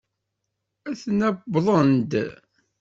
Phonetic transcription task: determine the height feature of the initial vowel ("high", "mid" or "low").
low